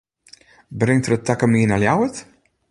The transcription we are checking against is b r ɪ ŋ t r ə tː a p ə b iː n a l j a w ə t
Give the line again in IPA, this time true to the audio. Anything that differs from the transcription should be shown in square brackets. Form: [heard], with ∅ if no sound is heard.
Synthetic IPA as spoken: b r ɪ ŋ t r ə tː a [k] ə [m] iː n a l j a w ə t